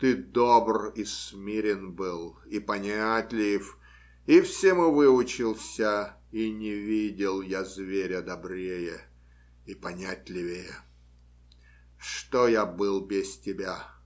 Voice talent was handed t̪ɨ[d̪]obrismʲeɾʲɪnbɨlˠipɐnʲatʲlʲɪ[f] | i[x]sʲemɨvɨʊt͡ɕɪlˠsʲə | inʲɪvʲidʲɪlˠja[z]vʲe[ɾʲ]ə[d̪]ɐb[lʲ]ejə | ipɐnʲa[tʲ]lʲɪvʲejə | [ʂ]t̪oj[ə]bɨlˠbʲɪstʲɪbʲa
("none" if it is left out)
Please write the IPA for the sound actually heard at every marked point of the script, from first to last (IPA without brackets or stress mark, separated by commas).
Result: d̪, f, f, z, ɾʲ, d̪, ɾʲ, tʲ, ʂ, a